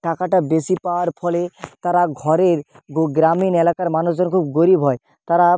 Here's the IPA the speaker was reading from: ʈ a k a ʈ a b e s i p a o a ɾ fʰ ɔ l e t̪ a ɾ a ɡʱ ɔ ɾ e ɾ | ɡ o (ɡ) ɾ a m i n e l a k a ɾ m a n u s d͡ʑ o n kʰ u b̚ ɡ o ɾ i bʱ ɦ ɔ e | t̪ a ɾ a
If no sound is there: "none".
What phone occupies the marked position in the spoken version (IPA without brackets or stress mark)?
ɡ